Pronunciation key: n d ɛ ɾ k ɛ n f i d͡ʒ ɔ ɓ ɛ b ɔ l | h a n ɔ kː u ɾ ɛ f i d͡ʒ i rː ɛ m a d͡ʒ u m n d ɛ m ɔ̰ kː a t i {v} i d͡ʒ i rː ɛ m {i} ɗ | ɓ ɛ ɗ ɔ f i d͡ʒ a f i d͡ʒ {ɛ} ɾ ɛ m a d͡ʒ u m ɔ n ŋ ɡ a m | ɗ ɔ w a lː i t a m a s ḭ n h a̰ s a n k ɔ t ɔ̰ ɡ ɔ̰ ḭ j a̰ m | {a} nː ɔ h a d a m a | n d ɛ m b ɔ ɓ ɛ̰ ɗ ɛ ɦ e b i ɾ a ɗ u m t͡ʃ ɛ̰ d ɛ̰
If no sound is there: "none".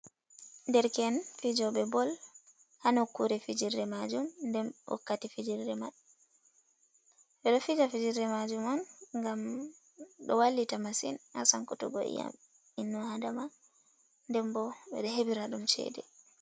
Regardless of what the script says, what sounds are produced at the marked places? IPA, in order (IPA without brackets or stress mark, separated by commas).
f, a, i, i